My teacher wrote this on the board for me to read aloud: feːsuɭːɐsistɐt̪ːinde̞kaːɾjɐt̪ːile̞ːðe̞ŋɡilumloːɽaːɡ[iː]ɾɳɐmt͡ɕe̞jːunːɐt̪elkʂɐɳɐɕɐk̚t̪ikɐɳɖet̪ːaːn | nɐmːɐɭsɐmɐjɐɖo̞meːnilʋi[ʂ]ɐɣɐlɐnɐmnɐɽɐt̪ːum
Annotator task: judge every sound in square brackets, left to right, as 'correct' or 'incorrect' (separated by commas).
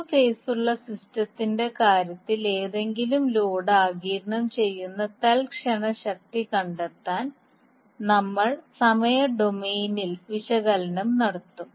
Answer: correct, incorrect